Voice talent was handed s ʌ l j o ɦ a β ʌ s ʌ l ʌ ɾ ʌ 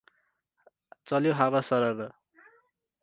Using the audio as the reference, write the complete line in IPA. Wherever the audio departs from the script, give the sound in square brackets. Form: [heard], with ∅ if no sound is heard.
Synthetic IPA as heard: [t͡s] ʌ l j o ɦ a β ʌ s ʌ [ɾ] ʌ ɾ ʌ